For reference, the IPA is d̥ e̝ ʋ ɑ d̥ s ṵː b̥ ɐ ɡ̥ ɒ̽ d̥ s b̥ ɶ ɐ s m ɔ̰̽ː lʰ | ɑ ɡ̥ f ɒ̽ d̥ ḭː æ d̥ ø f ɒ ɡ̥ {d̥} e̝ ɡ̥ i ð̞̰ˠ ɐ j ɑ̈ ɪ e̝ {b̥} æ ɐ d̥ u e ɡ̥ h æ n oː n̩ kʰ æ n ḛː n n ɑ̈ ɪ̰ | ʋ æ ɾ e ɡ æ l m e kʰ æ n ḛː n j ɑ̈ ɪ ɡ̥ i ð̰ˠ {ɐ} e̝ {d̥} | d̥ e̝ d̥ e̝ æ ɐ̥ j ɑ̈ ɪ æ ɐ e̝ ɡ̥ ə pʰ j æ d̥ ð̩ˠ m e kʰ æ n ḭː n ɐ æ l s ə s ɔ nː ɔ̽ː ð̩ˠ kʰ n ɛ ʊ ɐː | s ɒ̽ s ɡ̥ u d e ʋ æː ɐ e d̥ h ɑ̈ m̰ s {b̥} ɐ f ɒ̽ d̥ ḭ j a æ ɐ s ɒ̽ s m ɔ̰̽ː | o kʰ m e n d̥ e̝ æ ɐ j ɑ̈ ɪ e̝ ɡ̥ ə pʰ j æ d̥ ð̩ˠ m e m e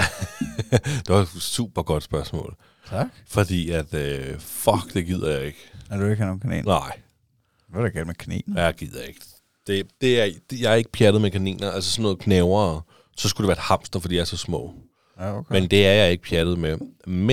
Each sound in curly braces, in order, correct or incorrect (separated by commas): correct, incorrect, correct, incorrect, incorrect